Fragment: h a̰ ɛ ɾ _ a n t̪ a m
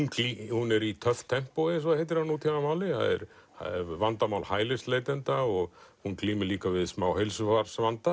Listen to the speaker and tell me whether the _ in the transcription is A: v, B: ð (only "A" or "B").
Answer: A